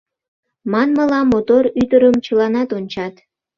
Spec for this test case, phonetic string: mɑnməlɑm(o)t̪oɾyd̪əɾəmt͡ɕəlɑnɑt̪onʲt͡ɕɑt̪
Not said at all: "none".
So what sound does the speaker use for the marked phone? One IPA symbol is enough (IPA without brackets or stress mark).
o